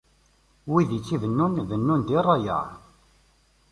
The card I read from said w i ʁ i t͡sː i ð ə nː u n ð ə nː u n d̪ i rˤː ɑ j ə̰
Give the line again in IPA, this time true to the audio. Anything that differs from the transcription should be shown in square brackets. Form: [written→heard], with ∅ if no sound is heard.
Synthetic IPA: w i [ʁ→ð] i t͡sː i [ð→v] ə nː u n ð ə nː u n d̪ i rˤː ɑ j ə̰